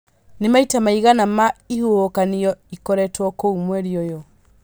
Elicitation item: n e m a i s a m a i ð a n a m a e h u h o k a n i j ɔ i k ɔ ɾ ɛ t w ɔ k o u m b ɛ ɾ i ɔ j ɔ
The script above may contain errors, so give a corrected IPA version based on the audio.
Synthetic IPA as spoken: n e m a i t a m a i ɣ a n a m a i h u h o k a n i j ɔ i k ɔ ɾ ɛ t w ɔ k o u m w ɛ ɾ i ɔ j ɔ